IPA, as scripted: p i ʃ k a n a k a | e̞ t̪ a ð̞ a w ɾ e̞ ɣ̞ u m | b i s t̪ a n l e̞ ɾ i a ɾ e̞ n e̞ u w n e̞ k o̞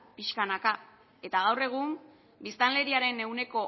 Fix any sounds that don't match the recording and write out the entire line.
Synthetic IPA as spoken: p i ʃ k a n a k a | e̞ t̪ a ɣ̞ a w r e̞ ɣ̞ u m | b i s t̪ a n l e̞ ɾ i a ɾ e̞ n e̞ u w n e̞ k o̞